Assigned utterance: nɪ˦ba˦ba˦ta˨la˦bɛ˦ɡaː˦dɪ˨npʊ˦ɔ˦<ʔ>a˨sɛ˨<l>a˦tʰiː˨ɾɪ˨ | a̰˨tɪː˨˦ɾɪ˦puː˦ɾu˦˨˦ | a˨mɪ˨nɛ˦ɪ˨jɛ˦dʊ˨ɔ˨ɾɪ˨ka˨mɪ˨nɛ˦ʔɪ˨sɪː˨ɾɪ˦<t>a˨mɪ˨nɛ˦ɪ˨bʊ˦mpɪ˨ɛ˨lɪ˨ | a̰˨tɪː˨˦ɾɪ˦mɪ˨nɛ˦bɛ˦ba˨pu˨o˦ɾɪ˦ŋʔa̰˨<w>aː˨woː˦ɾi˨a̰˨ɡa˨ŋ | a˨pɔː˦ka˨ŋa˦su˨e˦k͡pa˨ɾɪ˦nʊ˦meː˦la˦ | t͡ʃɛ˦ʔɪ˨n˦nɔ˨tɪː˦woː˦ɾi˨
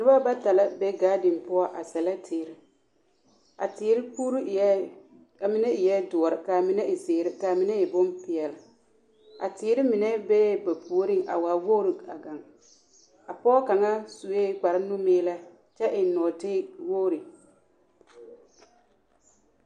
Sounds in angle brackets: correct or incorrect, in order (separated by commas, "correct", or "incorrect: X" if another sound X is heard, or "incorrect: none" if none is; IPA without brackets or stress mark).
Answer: correct, correct, incorrect: k, correct